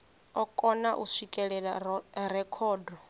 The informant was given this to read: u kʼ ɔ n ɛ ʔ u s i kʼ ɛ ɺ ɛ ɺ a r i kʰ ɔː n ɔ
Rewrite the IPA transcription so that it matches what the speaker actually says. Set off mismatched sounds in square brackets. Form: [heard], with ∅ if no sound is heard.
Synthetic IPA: [ɔ] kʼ ɔ n [a] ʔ u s i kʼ ɛ ɺ ɛ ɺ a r [ɛ] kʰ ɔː [d] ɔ